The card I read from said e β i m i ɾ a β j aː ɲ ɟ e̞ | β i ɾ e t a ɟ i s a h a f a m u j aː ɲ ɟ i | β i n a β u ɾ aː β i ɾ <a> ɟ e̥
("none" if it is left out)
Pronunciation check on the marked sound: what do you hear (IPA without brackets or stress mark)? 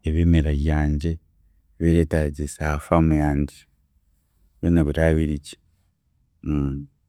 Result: i